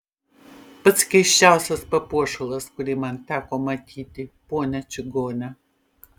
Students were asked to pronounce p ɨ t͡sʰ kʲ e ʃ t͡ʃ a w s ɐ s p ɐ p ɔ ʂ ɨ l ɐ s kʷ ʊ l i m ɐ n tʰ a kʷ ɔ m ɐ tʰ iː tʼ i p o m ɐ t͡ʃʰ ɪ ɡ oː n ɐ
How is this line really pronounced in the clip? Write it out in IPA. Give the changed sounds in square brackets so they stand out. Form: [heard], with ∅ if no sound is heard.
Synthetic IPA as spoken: p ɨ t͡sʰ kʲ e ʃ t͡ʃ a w s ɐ s p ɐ p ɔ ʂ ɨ l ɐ s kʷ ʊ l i m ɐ n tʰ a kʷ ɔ m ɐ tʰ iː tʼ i p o [n] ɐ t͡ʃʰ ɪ ɡ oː n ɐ